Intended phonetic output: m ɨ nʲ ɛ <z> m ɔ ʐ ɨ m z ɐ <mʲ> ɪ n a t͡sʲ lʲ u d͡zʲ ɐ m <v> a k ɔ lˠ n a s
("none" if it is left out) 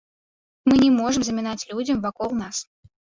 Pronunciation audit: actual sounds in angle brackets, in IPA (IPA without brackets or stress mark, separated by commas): none, mʲ, v